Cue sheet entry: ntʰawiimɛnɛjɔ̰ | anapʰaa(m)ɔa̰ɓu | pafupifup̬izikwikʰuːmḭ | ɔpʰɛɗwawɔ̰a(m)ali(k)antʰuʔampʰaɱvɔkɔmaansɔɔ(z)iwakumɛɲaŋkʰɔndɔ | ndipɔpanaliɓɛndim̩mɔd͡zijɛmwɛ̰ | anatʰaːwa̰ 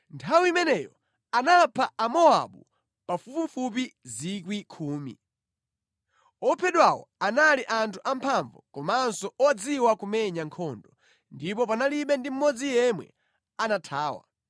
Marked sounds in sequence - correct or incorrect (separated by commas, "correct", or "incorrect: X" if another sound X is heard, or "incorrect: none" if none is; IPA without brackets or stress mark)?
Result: correct, incorrect: n, incorrect: ʔ, incorrect: d͡z